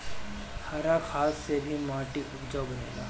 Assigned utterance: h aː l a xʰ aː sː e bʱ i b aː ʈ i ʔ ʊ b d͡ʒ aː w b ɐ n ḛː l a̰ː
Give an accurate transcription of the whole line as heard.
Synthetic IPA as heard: h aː ɾ a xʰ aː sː e bʱ i m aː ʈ i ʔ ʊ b d͡ʒ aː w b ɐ n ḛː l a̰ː